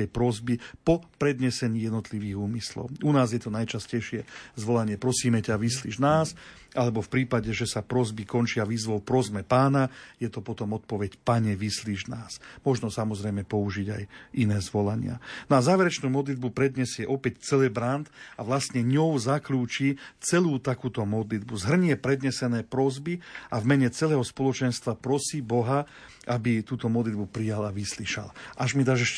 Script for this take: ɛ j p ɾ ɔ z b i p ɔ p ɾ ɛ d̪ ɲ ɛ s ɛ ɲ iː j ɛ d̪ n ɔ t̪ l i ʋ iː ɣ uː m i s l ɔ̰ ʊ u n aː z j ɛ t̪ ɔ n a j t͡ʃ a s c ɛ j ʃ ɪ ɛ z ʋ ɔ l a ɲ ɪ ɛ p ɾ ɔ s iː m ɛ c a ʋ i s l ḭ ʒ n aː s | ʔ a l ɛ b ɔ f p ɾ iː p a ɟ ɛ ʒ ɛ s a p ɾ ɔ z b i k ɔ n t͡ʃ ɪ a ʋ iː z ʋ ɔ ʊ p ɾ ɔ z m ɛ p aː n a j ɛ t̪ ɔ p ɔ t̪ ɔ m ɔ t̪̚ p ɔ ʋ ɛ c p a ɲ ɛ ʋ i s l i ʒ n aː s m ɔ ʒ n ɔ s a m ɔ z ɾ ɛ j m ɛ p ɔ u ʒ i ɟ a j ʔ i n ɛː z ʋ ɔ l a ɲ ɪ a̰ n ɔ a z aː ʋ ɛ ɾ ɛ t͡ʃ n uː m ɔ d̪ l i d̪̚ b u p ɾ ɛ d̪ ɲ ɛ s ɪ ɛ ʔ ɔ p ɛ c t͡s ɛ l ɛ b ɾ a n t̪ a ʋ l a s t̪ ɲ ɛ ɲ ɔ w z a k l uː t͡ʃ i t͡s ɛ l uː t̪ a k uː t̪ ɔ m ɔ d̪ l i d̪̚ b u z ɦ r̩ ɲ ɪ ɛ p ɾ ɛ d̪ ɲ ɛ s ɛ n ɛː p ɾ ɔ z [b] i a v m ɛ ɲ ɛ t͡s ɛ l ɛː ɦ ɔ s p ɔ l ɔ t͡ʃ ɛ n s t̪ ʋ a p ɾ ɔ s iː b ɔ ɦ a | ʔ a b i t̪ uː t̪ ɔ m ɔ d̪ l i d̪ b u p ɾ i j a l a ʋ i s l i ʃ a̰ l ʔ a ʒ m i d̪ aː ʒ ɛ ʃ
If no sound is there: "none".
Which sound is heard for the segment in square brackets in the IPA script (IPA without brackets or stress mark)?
b